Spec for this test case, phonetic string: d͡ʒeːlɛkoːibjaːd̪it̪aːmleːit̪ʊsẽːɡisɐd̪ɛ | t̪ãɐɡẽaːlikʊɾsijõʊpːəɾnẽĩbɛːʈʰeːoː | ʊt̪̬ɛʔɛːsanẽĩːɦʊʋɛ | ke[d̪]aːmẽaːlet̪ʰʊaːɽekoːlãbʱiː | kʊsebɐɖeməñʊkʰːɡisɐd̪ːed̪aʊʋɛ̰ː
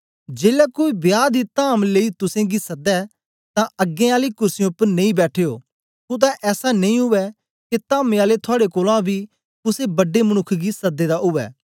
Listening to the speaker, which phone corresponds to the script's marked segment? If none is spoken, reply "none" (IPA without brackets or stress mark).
t̪